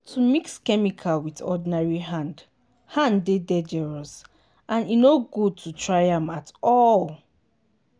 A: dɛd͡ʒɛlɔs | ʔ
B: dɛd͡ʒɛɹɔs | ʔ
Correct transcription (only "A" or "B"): B